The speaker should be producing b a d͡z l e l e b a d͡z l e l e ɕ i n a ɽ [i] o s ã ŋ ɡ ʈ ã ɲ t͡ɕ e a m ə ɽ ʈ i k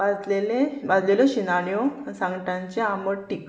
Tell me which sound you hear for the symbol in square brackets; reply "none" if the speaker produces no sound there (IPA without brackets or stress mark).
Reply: j